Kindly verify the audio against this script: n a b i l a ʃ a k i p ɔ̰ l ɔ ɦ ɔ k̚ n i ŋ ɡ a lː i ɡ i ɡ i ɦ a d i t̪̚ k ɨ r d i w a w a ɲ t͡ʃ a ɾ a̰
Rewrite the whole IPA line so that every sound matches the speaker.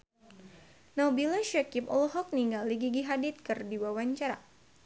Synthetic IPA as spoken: n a b i l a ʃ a k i p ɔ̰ l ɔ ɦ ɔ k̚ n i ŋ ɡ a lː i ɡ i ɡ i ɦ a d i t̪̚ k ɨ r d i w a w a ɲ t͡ʃ a ɾ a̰